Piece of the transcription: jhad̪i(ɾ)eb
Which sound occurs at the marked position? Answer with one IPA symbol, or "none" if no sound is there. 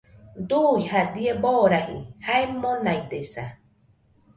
none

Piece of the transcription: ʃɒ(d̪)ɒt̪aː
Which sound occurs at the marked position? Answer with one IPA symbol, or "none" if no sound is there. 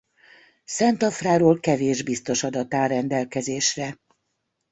d̪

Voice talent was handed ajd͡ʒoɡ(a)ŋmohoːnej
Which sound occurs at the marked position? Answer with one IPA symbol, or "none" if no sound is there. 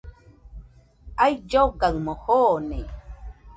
a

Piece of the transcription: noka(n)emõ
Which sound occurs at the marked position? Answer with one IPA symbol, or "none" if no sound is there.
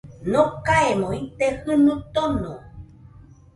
none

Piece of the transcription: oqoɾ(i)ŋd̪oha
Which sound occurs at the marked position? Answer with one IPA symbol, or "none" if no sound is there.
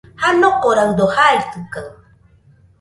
a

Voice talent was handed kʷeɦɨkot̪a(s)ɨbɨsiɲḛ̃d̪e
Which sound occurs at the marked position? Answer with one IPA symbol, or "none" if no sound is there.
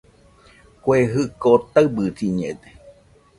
none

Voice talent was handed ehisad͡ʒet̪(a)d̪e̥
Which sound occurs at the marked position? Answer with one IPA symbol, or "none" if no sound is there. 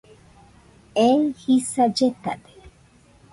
a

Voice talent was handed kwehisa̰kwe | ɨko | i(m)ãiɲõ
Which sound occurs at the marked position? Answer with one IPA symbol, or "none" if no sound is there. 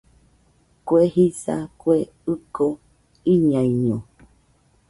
ɲ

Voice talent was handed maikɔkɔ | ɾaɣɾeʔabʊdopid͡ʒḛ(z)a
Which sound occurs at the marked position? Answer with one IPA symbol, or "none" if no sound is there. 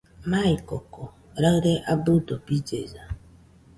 z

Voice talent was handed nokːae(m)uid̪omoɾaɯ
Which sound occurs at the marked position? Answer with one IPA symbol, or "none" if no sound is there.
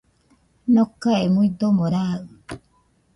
m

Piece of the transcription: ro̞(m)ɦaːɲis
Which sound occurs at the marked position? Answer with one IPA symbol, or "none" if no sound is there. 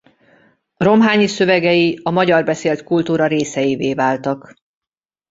m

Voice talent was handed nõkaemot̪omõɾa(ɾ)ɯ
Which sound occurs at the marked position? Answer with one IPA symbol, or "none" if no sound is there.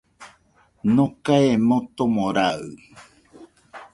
none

